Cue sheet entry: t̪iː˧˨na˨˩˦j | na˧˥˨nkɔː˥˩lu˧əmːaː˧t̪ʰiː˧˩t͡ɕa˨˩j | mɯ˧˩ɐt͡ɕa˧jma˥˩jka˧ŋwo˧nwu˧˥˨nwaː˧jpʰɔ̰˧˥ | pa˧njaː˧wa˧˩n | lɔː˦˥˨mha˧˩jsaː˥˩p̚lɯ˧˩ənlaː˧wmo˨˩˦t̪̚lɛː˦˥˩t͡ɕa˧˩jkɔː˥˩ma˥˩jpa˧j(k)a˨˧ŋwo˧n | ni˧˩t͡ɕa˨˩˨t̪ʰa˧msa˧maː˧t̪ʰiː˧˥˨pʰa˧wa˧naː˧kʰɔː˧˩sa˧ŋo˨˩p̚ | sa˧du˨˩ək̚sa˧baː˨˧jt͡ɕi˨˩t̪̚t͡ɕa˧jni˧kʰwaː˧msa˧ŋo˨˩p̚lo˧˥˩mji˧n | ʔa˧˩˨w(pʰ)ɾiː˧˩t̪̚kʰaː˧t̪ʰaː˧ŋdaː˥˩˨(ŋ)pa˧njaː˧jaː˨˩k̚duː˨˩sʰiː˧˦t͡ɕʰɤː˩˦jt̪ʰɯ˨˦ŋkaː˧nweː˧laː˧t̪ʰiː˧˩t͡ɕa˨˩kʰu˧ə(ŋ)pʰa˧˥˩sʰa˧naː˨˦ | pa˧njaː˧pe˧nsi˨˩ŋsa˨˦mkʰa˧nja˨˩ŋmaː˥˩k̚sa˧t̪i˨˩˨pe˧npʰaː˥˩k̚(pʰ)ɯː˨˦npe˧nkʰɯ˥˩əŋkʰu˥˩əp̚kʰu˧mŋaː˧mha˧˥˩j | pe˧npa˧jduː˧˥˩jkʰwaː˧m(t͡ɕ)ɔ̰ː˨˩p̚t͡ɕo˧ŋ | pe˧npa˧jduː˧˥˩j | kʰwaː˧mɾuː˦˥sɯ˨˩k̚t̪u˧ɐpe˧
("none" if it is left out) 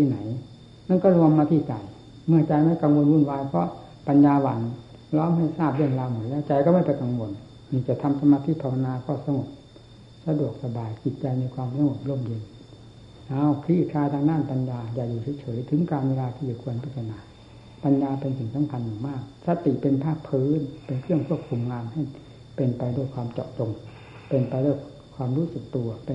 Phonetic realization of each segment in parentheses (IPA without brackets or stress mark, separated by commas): k, kʰ, n, n, pʰ, t͡ɕ